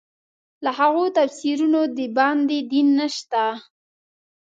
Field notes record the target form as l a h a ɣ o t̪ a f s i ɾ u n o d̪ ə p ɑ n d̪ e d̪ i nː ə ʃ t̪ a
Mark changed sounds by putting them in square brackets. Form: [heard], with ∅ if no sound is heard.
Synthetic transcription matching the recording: l a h a ɣ o t̪ a f s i ɾ u n o d̪ ə [b] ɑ n d̪ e d̪ i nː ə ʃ t̪ a